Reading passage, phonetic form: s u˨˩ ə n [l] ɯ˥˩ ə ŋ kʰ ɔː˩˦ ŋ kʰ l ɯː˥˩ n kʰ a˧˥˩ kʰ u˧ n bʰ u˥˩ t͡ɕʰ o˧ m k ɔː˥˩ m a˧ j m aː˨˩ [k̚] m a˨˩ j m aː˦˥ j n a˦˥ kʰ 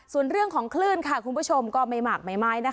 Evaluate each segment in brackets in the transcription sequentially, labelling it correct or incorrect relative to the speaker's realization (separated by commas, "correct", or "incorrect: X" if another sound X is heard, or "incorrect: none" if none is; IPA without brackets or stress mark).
incorrect: ɾ, correct